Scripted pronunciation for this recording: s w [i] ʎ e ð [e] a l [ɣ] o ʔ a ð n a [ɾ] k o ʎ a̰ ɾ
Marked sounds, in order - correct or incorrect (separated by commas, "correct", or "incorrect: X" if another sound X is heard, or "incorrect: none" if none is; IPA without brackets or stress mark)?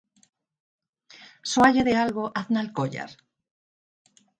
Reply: incorrect: a, correct, correct, incorrect: l